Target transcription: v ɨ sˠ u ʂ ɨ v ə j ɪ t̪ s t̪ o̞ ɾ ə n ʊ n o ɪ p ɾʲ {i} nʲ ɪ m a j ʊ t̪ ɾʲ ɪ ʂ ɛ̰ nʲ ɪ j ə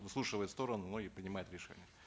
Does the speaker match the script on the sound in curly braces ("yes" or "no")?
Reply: no